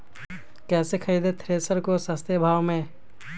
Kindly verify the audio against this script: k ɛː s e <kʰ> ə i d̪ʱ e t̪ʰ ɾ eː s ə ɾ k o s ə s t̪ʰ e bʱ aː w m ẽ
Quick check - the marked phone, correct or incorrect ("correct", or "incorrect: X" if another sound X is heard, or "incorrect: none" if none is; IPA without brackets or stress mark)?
correct